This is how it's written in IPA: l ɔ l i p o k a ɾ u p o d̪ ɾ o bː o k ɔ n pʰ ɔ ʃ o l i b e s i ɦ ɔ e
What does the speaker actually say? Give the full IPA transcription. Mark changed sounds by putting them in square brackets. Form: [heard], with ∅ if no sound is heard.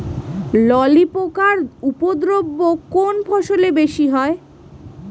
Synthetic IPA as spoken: l ɔ l i p o k a ɾ u p o d̪ ɾ o bː o k [o] n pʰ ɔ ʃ o l [e] b e [ʃ] i ɦ ɔ e